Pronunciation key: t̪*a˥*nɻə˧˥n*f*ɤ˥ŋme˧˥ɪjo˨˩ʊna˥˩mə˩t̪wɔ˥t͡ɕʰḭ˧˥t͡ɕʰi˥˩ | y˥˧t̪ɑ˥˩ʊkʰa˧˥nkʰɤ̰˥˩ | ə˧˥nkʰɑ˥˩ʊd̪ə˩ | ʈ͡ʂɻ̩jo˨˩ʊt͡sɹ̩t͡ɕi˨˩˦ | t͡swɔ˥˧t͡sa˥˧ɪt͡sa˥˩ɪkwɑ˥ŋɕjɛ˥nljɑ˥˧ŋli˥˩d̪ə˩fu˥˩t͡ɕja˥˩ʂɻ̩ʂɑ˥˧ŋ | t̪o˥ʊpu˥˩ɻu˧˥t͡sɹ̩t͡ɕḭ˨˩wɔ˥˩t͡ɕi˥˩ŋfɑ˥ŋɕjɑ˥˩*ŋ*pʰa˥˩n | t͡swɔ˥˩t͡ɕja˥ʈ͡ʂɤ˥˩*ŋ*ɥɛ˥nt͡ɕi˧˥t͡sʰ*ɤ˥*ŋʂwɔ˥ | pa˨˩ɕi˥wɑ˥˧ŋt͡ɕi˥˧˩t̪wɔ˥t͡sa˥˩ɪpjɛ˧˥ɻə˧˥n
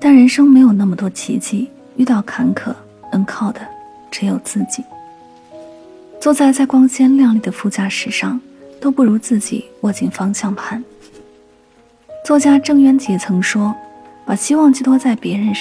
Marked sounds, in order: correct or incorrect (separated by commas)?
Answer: incorrect, incorrect, correct, correct, incorrect